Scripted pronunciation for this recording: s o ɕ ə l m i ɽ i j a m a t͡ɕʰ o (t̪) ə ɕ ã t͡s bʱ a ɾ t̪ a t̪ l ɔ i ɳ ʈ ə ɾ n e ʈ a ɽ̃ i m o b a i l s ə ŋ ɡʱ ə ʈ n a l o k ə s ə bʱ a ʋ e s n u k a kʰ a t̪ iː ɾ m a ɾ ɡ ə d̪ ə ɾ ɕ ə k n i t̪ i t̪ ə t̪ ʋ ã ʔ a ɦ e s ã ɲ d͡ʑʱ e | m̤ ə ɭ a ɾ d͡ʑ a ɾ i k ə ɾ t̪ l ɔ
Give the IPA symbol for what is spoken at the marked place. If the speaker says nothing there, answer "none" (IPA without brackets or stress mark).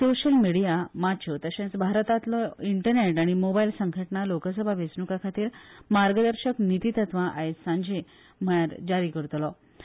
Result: t̪